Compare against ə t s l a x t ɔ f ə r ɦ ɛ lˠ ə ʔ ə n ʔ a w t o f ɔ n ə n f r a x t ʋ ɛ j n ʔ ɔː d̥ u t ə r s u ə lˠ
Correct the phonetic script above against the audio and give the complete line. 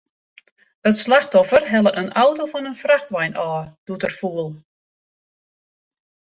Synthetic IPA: ə t s l a x t ɔ f ə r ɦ ɛ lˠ ə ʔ ə n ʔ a w t o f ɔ n ə n f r a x t ʋ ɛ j n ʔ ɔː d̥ u t ə r f u ə lˠ